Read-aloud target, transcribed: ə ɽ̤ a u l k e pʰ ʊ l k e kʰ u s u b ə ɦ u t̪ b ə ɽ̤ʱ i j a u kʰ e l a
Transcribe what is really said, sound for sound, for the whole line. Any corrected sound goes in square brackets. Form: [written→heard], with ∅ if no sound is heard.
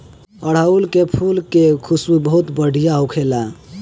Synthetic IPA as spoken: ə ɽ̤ a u l k e pʰ [ʊ→u] l k e kʰ u s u b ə ɦ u t̪ b ə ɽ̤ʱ i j a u kʰ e l a